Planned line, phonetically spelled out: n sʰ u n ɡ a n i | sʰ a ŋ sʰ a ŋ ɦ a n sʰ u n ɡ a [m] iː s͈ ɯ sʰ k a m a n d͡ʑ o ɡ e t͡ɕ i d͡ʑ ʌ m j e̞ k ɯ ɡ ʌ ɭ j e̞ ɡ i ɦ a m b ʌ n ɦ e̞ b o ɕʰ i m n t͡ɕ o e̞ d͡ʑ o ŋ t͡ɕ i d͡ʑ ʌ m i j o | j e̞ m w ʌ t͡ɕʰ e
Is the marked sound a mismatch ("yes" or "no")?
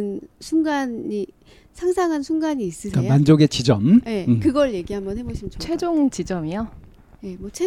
yes